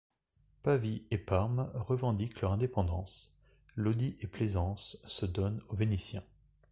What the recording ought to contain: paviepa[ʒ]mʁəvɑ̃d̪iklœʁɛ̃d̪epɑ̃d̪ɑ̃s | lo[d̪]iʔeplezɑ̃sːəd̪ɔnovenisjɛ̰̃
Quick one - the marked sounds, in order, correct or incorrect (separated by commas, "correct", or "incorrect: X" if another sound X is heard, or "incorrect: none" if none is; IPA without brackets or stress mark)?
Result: incorrect: ʁ, correct